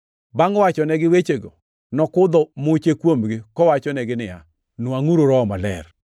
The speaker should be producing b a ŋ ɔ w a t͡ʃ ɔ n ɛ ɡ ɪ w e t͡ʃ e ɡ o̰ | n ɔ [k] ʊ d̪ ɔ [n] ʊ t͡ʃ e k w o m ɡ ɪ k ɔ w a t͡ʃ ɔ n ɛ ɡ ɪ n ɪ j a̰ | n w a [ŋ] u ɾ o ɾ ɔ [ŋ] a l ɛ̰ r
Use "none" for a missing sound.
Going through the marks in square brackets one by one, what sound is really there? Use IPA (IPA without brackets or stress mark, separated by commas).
k, m, ŋ, m